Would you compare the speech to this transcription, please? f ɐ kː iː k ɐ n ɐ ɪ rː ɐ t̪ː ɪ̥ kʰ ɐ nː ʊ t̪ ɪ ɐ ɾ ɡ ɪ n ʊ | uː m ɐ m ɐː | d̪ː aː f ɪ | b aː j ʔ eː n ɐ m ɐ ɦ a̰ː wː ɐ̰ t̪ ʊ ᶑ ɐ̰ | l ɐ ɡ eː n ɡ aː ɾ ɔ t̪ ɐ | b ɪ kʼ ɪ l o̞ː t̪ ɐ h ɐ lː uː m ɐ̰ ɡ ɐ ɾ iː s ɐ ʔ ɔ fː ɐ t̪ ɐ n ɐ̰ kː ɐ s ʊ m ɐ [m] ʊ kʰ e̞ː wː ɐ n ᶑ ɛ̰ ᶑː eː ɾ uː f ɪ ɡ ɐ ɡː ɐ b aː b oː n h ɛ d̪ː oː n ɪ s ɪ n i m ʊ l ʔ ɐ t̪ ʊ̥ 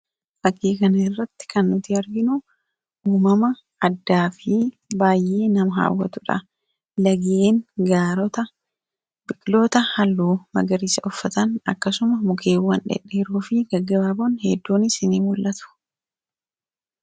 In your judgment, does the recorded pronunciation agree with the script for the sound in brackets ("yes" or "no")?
yes